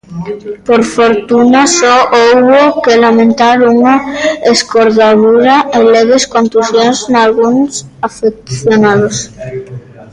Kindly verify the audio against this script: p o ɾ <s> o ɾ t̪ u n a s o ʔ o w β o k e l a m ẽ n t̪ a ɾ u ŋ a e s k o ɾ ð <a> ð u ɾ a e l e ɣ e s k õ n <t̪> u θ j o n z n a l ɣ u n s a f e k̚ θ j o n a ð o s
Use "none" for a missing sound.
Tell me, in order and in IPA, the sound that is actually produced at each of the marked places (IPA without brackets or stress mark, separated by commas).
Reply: f, a, t̪